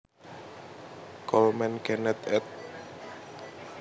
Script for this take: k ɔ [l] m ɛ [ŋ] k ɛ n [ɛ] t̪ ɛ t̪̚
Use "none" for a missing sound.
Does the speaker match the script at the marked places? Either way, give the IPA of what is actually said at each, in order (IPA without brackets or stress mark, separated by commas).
l, n, ɛ